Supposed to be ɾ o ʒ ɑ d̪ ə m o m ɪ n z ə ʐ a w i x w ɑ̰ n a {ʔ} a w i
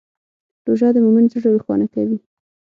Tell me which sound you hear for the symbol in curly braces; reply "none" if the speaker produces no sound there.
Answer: k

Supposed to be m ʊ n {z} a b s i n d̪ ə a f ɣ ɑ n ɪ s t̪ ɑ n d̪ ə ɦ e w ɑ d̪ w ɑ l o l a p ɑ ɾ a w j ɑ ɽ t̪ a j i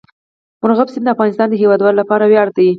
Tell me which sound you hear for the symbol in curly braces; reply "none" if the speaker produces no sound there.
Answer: ɣ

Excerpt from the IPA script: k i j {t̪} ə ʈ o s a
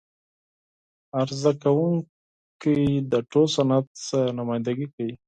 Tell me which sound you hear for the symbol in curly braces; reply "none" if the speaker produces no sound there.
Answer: d̪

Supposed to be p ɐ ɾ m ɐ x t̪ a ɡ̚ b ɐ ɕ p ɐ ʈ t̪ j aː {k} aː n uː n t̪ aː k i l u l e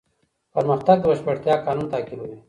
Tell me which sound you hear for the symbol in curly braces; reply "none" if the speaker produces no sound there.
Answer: k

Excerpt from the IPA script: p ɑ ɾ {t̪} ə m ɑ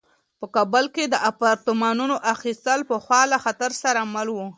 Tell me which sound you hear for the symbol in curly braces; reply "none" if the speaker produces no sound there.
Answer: t̪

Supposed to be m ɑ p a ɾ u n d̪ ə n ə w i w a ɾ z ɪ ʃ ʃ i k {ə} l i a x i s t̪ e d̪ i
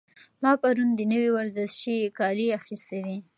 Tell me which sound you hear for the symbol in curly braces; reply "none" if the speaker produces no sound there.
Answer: ɑ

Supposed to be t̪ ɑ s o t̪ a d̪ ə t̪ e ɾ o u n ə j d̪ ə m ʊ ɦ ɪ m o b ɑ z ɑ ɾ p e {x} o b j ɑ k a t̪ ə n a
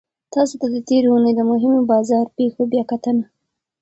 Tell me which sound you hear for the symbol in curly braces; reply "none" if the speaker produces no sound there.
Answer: x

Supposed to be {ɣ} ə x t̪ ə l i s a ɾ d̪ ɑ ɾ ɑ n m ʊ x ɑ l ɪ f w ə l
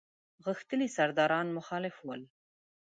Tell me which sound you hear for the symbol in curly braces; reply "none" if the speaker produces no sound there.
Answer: ɣ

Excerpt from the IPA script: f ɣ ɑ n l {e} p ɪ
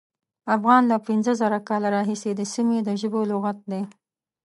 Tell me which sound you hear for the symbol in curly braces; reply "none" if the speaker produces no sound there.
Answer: a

